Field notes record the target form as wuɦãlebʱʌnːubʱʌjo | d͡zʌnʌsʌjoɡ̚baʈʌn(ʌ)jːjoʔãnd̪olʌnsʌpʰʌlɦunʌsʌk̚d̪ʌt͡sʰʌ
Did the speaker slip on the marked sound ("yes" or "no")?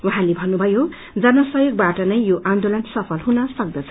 no